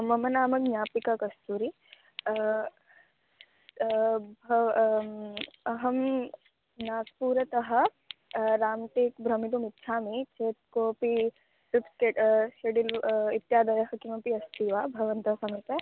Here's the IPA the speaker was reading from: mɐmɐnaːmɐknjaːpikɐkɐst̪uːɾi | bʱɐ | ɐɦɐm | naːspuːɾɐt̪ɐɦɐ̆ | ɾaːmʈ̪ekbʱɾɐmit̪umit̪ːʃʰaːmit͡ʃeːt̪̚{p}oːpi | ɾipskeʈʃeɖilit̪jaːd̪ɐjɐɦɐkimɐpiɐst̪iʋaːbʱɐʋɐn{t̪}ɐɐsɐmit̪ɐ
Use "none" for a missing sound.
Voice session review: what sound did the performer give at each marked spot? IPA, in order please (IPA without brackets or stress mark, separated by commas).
k, t̪